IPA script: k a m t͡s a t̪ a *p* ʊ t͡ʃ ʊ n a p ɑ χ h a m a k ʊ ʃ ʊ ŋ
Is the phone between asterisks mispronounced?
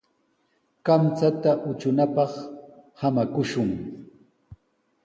yes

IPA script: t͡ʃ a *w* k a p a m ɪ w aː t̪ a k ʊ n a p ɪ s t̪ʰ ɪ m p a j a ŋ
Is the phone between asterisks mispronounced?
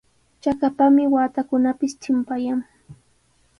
yes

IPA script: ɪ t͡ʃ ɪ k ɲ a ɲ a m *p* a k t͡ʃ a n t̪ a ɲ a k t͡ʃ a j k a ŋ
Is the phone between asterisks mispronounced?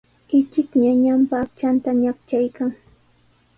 no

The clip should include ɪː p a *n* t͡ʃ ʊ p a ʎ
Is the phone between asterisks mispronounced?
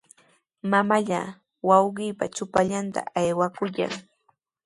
yes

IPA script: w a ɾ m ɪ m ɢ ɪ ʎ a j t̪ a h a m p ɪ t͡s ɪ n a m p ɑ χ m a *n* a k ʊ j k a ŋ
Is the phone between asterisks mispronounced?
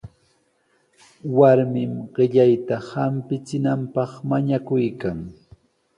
yes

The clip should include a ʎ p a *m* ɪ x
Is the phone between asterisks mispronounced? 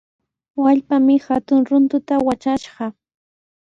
no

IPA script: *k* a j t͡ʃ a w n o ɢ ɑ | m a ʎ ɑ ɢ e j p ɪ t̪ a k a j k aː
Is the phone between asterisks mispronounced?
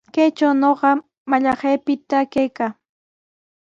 no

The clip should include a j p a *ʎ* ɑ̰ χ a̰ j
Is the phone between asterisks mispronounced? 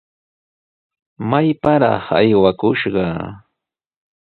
yes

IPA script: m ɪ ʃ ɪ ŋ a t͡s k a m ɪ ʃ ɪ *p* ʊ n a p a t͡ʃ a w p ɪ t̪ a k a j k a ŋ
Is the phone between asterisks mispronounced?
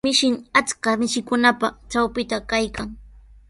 yes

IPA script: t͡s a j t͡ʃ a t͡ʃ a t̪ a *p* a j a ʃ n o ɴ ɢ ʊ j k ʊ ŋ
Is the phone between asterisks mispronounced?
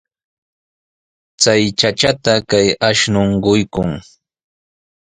yes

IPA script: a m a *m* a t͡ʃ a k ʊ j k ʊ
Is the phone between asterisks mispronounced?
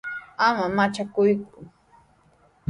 no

